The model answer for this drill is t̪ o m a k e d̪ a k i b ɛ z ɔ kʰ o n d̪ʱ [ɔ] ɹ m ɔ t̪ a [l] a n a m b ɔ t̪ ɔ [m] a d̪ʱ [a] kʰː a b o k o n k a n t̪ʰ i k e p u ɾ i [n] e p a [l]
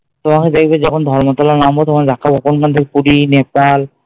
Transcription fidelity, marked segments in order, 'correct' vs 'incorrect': correct, correct, correct, correct, correct, correct

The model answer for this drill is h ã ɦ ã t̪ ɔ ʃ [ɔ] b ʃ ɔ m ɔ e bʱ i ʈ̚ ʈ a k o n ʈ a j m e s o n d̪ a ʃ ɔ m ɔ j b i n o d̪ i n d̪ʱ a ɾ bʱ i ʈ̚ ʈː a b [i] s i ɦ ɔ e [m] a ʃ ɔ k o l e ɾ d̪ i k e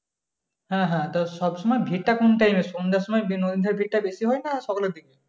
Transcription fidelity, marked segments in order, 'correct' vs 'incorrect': correct, incorrect: e, incorrect: n

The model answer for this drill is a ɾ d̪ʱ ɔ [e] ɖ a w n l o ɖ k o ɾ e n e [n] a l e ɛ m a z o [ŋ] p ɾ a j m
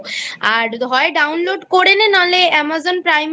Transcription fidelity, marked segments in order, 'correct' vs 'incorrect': correct, correct, incorrect: n

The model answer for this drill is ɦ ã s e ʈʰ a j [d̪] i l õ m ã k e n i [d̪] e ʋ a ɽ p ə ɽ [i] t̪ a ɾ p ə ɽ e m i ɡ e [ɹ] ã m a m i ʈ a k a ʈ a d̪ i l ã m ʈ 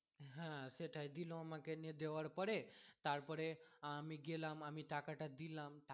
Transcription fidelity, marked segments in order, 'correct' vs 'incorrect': correct, correct, incorrect: e, incorrect: l

